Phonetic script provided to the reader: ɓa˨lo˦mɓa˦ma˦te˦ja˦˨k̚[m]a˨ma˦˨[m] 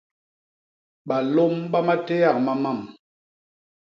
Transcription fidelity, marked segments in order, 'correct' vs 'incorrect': correct, correct

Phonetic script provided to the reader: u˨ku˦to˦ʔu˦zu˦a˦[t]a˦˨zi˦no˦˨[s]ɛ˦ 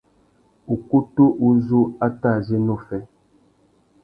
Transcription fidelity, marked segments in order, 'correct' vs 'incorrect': correct, incorrect: f

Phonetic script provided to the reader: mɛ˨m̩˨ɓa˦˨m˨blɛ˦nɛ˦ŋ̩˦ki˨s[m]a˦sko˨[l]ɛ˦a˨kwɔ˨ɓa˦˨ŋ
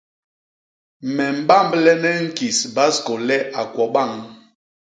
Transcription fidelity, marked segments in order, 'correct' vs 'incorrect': incorrect: b, correct

